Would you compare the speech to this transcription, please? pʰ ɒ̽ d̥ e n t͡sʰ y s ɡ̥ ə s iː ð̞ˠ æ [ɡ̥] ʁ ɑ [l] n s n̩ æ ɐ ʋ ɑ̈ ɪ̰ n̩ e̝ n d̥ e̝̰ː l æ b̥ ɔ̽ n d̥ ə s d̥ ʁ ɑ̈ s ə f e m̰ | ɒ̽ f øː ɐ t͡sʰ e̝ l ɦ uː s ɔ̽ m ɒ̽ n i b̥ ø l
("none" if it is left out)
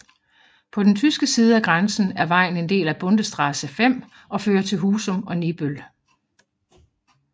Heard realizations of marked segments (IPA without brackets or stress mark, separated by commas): ɡ̥, none